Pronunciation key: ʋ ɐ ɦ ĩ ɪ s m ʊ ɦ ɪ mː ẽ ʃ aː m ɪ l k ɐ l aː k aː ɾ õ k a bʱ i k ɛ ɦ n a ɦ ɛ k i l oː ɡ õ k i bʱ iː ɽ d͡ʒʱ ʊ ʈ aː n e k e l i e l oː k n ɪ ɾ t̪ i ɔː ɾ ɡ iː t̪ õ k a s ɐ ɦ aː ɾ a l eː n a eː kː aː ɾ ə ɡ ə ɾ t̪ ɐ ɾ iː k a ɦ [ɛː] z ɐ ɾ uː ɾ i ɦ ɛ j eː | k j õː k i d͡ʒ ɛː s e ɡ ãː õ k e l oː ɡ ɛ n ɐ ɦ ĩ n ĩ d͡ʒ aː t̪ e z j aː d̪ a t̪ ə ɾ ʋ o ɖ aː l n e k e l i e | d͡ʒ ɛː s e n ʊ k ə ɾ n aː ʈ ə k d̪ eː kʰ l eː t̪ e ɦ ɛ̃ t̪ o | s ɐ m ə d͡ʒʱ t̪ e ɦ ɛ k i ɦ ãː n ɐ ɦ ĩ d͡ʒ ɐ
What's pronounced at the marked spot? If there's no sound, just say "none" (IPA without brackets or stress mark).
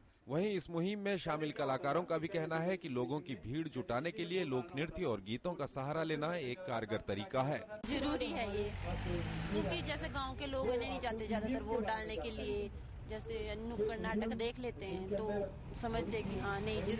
ɛː